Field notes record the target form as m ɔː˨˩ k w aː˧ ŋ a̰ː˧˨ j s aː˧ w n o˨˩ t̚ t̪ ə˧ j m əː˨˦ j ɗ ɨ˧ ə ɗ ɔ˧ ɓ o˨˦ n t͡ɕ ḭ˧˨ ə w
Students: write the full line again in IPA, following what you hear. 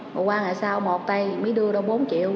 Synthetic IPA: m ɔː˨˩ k w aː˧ ŋ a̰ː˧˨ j s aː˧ w m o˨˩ t̚ t̪ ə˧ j m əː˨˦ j ɗ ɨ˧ ə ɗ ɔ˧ ɓ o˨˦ n t͡ɕ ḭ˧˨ ə w

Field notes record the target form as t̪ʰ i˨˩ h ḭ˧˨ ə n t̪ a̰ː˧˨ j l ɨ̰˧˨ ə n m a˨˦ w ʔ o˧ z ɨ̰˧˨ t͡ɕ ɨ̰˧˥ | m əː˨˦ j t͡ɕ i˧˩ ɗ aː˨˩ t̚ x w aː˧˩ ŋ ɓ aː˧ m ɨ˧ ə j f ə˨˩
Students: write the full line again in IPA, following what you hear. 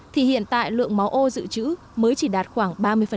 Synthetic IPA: t̪ʰ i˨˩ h ḭ˧˨ ə n t̪ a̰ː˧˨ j l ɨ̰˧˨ ə ŋ m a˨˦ w ʔ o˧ z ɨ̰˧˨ t͡ɕ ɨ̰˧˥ | m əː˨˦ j t͡ɕ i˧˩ ɗ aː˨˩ t̚ x w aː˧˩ ŋ ɓ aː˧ m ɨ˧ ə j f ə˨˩

